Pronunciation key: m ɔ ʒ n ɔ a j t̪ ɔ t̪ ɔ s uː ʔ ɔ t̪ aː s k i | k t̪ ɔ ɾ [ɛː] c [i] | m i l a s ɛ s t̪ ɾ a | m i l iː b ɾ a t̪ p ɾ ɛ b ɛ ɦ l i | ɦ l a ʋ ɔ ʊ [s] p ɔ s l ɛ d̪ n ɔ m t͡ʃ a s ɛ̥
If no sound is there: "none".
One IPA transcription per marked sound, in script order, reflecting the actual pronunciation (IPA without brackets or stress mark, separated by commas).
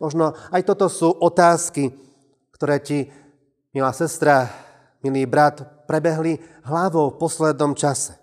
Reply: ɛː, i, f